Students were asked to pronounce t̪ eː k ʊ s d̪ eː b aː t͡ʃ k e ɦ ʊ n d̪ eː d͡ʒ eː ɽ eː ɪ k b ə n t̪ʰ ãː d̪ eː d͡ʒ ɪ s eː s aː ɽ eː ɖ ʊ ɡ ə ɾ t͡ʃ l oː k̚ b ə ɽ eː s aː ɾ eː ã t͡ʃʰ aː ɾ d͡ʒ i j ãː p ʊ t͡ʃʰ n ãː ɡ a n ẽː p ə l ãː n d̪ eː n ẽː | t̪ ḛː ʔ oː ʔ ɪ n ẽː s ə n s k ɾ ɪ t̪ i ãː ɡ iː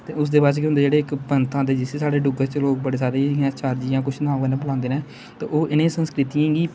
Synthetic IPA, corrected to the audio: t̪ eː ʊ s d̪ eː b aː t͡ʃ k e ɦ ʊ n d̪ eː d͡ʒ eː ɽ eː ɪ k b ə n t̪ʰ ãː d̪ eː d͡ʒ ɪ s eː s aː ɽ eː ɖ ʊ ɡ ə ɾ t͡ʃ l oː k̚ b ə ɽ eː s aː ɾ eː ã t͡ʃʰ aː ɾ d͡ʒ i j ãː k ʊ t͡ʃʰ n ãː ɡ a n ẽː b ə l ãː n d̪ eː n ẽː | t̪ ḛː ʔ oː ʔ ɪ n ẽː s ə n s k ɾ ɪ t̪ i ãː ɡ iː